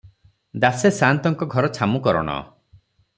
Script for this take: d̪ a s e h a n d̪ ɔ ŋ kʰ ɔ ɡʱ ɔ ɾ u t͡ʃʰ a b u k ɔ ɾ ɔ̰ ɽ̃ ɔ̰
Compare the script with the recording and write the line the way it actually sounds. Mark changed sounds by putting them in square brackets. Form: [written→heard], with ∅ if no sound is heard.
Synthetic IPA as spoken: d̪ a s e [h→s] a n [d̪→t̪] ɔ ŋ [kʰ→k] ɔ ɡʱ ɔ ɾ [u→ɔ] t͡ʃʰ a [b→m] u k ɔ ɾ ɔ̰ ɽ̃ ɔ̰